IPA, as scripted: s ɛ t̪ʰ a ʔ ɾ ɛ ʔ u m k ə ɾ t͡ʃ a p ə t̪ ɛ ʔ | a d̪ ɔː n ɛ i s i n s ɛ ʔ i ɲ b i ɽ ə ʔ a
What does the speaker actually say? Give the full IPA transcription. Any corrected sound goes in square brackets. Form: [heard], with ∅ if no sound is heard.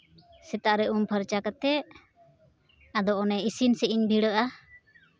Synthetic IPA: s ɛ [t̪] a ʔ ɾ ɛ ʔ u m [p] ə ɾ t͡ʃ a [k] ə t̪ ɛ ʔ | a d̪ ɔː n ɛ i s i n s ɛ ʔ i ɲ b i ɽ ə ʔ a